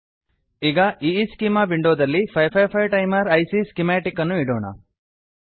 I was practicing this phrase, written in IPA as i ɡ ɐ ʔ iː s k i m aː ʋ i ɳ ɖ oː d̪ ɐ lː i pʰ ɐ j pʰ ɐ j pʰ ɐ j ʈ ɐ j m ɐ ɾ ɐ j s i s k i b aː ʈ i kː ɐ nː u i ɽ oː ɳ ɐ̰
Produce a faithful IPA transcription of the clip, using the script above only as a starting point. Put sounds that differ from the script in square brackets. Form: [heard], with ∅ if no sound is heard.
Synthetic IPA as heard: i ɡ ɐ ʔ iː s k i m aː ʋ i ɳ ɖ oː d̪ ɐ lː i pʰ ɐ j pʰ ɐ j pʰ ɐ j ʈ ɐ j m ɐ ɾ ɐ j s i s k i [m] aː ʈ i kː ɐ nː u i ɽ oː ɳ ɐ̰